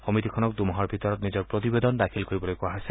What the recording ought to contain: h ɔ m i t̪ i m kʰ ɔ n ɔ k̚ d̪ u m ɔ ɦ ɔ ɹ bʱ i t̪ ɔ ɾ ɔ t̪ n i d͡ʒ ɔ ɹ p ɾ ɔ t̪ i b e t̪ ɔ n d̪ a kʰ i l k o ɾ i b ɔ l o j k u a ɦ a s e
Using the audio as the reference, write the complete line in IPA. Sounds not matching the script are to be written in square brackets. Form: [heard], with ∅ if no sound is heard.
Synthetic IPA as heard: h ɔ m i t̪ i [∅] kʰ ɔ n ɔ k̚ d̪ u m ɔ ɦ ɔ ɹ bʱ i t̪ ɔ ɾ ɔ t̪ n i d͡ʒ ɔ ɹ p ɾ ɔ t̪ i b e [d̪] ɔ n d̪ a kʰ i l k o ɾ i b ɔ l o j k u a ɦ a s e